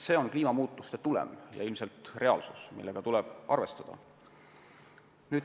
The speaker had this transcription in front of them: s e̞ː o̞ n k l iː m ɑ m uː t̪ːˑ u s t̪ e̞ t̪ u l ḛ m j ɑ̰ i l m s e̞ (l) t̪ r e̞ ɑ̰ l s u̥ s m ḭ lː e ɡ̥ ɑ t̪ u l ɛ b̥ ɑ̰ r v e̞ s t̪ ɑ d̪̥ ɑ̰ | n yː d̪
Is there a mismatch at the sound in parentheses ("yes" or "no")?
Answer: no